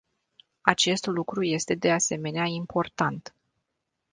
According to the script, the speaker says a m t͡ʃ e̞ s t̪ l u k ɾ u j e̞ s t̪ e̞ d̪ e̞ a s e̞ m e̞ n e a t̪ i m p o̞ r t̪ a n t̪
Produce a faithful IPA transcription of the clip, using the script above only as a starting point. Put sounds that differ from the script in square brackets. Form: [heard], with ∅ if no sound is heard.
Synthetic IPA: a [∅] t͡ʃ e̞ s t̪ l u k ɾ u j e̞ s t̪ e̞ d̪ e̞ a s e̞ m e̞ n e a [∅] i m p o̞ r t̪ a n t̪